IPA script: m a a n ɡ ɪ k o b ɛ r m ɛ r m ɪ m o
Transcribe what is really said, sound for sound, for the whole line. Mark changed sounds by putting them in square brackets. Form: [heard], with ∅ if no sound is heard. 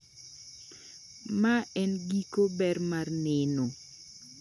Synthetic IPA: m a [ɛ] n ɡ [i] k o b ɛ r m [a] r [n] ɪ [n] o